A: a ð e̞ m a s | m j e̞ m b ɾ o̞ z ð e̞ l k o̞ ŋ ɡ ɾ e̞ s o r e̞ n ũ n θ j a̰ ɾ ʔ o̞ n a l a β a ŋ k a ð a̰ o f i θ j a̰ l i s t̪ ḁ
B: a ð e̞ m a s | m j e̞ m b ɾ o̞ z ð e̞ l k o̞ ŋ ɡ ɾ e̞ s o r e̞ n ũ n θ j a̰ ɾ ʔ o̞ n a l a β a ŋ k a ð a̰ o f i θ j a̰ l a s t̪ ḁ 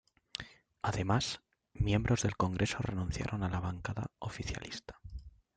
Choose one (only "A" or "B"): A